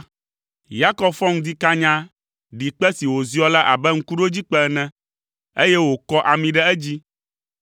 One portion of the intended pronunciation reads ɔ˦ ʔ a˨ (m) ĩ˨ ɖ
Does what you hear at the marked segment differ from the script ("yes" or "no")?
no